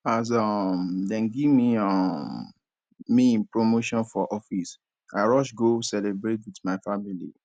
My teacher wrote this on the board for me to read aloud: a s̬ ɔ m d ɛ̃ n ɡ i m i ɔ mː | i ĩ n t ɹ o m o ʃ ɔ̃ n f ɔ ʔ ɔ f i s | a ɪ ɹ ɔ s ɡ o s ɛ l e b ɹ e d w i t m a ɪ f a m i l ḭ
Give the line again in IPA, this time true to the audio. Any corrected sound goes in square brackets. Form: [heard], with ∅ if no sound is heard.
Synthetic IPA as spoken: a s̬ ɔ m d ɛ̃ n ɡ i m i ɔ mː | i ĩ n [p] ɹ o m o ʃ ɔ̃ n f ɔ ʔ ɔ f i s | a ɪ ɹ ɔ [ʃ] ɡ o s ɛ l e b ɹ e [t] w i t m a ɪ f a m i l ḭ